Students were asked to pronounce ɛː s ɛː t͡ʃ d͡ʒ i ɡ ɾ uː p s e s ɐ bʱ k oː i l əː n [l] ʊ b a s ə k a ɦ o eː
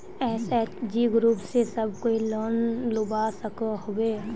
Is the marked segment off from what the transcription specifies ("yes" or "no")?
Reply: no